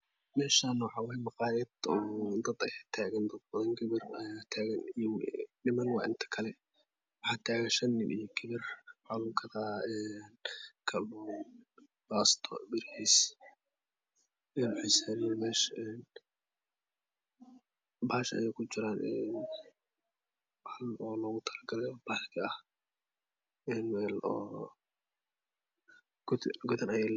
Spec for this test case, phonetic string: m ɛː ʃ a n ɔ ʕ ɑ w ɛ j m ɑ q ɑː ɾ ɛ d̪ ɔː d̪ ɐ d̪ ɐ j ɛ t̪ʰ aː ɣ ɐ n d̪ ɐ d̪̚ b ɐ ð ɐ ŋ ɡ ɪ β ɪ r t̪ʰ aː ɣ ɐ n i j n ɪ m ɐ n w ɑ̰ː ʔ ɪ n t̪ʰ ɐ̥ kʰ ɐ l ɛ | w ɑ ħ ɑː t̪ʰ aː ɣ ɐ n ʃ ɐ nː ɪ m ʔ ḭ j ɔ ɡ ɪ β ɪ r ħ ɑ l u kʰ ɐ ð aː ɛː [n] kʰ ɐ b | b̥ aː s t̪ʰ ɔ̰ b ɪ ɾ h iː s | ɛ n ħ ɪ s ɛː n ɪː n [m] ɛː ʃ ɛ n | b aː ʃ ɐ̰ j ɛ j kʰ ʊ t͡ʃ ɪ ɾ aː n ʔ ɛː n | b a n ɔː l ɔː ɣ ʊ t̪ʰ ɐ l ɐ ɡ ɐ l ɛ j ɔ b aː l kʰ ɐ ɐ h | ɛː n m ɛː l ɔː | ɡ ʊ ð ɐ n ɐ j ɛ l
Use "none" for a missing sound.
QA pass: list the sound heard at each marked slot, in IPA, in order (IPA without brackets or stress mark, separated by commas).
n, m